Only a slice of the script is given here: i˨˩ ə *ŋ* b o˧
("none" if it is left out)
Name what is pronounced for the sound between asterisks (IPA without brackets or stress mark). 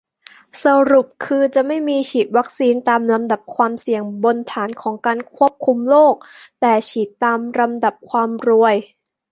ŋ